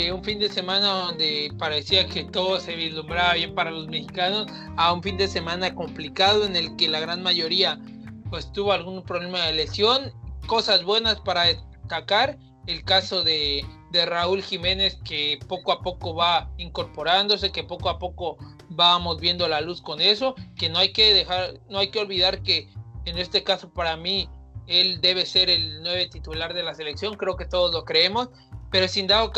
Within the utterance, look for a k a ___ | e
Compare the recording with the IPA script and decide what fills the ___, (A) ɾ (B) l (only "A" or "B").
A